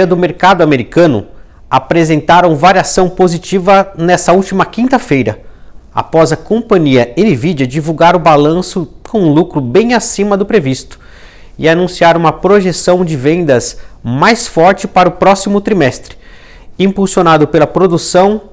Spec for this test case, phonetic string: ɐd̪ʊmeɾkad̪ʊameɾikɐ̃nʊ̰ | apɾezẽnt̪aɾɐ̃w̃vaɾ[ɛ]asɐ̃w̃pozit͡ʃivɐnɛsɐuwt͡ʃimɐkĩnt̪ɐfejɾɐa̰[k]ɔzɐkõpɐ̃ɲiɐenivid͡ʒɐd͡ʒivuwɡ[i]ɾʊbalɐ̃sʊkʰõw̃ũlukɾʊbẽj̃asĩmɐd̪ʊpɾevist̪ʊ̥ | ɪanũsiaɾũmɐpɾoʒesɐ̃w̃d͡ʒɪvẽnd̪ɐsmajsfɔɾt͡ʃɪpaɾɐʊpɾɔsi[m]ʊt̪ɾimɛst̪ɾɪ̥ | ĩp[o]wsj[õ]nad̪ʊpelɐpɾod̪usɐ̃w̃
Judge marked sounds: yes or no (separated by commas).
no, no, no, yes, no, no